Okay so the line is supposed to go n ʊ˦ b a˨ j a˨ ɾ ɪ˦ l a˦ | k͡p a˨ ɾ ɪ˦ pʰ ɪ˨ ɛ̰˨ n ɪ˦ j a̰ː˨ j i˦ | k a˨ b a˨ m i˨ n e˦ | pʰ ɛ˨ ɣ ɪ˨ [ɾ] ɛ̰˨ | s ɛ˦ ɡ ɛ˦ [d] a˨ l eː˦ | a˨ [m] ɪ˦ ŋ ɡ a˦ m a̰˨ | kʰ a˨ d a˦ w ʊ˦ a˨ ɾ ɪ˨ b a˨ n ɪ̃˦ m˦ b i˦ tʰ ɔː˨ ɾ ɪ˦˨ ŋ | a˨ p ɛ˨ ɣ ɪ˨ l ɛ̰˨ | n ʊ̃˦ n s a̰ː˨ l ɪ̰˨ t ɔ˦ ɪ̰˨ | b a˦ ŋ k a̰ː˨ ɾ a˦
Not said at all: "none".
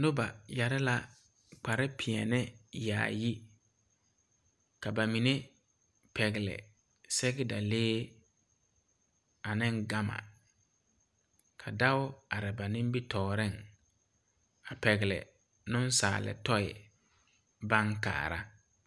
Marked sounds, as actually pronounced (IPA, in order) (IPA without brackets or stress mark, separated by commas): l, d, n